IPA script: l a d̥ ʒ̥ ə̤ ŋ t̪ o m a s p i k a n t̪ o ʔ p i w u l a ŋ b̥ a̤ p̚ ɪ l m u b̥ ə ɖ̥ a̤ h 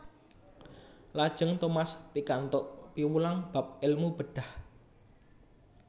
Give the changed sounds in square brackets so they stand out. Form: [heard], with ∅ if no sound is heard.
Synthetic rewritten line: l a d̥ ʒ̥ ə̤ ŋ t̪ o m a s p i k a n t̪ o ʔ p i w u l a ŋ b̥ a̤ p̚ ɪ l m u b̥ ə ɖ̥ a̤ h